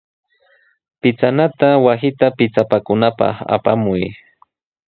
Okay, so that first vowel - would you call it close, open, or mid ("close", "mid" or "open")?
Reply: close